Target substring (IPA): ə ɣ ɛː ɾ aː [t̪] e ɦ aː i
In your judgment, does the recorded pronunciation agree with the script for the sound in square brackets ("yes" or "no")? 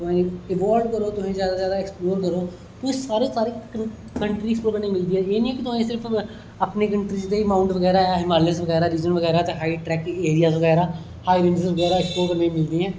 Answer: yes